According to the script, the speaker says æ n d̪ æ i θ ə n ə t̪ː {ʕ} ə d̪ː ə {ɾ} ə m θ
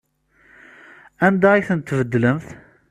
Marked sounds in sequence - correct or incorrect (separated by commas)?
incorrect, incorrect